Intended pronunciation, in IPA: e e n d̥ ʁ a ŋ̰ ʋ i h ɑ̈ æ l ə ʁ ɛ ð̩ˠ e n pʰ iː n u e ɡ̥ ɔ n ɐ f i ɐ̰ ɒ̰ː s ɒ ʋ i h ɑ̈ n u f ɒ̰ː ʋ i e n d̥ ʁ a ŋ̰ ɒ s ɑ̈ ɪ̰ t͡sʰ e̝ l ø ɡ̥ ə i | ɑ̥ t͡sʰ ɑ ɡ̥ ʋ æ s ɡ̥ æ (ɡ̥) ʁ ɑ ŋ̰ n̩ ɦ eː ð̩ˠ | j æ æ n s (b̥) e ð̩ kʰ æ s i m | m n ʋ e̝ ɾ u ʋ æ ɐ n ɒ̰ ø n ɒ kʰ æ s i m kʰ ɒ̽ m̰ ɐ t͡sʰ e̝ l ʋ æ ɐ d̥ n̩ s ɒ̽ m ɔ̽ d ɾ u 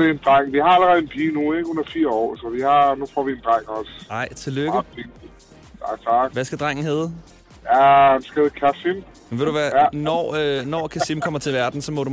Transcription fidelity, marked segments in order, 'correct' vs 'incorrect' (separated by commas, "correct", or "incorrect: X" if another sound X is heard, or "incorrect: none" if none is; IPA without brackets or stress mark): incorrect: d̥, incorrect: ɡ̥